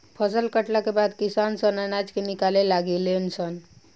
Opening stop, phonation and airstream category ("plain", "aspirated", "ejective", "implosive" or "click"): aspirated